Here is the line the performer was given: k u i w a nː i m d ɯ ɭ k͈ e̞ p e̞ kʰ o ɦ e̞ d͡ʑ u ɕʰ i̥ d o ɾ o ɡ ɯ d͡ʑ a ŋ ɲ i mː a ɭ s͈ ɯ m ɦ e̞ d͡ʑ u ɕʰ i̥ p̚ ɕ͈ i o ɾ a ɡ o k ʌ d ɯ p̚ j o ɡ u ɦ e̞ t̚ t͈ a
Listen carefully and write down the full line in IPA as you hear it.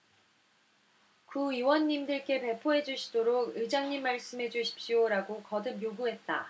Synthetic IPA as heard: k u i w ʌ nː i m d ɯ ɭ k͈ e̞ p e̞ pʰ o ɦ e̞ d͡ʑ u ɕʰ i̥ d o ɾ o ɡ ɯ d͡ʑ a ŋ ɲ i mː a ɭ s͈ ɯ m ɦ e̞ d͡ʑ u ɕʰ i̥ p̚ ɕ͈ i o ɾ a ɡ o k ʌ d ɯ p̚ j o ɡ u ɦ e̞ t̚ t͈ a